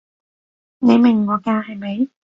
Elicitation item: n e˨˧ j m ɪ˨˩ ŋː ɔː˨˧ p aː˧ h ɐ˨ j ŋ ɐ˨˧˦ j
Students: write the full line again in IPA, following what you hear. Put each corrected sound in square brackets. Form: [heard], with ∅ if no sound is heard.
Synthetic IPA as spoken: n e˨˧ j m ɪ˨˩ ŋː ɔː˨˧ [k] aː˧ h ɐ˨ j [m] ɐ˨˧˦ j